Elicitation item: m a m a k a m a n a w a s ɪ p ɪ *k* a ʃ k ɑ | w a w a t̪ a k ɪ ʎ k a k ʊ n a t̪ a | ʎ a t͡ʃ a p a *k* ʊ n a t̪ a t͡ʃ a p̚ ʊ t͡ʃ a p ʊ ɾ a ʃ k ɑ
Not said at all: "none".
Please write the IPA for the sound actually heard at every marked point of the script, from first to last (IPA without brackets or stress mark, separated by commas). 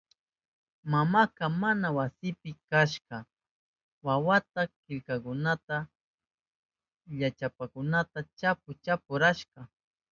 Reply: k, k